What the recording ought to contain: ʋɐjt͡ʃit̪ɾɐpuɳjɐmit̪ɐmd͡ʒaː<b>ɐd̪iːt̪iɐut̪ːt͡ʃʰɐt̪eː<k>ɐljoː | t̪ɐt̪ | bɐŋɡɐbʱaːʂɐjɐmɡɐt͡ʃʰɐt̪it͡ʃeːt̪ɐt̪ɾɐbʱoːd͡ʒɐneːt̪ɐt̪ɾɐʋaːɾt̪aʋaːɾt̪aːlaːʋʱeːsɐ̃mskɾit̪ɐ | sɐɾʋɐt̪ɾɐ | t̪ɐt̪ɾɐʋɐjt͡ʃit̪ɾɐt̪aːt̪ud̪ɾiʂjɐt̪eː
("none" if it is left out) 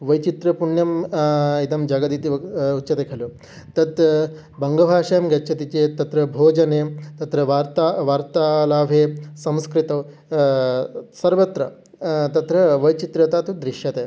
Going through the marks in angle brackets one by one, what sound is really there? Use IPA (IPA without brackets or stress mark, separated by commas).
ɡ, kʰ